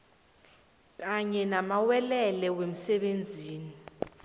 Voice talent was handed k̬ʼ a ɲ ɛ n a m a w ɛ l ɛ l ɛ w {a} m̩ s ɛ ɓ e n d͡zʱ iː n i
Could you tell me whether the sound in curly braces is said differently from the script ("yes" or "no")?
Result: yes